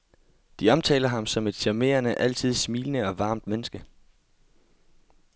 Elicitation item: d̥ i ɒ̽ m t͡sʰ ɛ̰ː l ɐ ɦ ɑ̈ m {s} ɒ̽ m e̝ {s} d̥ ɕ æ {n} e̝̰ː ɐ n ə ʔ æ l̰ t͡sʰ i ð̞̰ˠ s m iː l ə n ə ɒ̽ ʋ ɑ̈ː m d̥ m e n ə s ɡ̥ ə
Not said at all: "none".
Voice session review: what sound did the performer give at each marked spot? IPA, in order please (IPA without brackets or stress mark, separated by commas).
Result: s, none, m